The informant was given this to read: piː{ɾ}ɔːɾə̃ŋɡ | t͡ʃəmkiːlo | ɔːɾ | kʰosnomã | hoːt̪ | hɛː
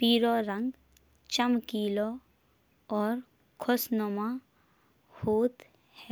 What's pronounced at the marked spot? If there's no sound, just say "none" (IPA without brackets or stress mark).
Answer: ɾ